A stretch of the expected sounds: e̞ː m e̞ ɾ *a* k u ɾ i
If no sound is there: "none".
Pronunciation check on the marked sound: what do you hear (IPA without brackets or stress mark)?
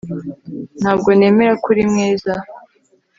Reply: a